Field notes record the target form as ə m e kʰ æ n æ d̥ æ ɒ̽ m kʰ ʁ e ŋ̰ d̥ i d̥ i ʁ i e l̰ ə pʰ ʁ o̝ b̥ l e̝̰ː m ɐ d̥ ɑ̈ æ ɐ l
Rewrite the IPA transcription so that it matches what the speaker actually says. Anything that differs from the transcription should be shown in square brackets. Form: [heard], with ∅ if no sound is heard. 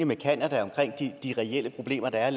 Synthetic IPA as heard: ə m e kʰ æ n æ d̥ æ ɒ̽ m kʰ ʁ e ŋ̰ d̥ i d̥ i ʁ [ɛ] e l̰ ə pʰ ʁ o̝ b̥ l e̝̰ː m ɐ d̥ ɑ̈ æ ɐ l